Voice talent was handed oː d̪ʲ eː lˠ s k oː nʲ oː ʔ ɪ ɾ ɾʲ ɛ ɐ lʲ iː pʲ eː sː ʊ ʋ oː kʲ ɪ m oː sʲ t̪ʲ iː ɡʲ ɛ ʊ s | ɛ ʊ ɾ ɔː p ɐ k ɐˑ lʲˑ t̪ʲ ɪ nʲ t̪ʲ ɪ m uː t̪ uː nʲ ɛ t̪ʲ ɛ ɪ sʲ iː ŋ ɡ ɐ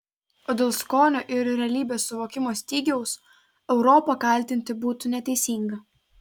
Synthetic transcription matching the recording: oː d̪ʲ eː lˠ s k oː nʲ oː ʔ ɪ ɾ ɾʲ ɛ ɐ lʲ iː bʲ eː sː ʊ ʋ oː kʲ ɪ m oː sʲ t̪ʲ iː ɡʲ ɛ ʊ s | ɛ ʊ ɾ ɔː p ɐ k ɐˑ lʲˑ t̪ʲ ɪ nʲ t̪ʲ ɪ b uː t̪ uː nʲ ɛ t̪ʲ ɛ ɪ sʲ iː ŋ ɡ ɐ